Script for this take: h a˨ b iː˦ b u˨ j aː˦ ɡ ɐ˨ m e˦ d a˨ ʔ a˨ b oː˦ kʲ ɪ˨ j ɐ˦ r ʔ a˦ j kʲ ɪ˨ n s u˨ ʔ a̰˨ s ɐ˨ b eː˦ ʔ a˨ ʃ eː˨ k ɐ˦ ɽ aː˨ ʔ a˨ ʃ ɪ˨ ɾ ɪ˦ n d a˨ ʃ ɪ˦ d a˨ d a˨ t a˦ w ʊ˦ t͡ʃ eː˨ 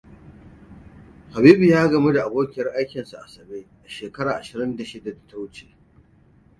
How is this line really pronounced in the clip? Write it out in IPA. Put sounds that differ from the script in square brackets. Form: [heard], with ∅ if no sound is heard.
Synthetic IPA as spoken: h a˨ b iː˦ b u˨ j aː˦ ɡ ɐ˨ m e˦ d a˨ ʔ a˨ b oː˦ kʲ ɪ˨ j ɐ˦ r ʔ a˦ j kʲ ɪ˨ n s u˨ ʔ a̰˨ s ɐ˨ b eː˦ ʔ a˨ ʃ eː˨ k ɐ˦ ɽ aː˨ ʔ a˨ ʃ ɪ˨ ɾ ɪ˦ n d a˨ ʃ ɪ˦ d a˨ d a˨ t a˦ w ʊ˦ t͡ʃ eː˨